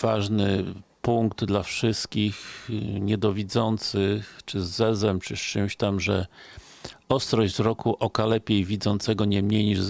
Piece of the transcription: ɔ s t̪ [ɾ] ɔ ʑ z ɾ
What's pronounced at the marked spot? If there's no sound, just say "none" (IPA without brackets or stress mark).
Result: ɾ